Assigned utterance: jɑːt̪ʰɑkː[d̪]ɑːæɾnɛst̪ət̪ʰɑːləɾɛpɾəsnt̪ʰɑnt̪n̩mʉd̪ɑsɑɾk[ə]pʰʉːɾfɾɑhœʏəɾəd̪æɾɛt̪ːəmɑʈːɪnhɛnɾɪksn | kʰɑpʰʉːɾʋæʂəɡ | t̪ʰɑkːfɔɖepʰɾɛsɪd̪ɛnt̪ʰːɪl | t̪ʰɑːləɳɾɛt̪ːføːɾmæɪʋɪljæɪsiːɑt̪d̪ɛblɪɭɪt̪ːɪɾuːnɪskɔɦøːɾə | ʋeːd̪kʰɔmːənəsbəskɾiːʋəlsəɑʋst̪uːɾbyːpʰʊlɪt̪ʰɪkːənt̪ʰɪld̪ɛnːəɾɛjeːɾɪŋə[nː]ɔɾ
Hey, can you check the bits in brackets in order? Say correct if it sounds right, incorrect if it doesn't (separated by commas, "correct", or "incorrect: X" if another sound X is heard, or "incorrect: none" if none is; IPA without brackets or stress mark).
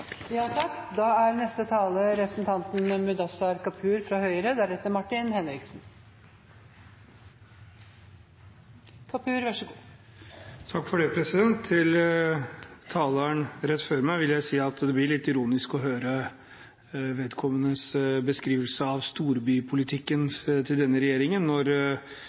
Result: correct, incorrect: ɑ, correct